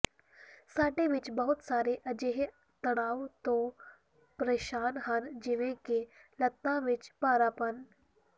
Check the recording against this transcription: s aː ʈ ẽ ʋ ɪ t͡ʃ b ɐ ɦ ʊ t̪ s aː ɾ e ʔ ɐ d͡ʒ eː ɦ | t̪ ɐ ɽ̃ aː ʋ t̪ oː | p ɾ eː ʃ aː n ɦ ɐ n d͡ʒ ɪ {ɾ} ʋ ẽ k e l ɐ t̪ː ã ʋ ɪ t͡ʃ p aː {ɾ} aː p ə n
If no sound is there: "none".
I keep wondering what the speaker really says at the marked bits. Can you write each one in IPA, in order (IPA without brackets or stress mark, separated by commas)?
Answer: none, ɾ